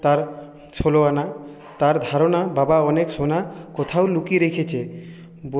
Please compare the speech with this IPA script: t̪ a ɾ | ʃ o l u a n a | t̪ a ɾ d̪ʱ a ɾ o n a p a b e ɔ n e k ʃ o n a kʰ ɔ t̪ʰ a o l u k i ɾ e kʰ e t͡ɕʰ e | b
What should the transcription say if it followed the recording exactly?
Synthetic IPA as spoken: t̪ a ɾ | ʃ o l o a n a | t̪ a ɾ d̪ʱ a ɾ o n a b a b a ɔ n e k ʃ o n a k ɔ t̪ʰ a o l u k i ɾ e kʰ e t͡ɕʰ e | b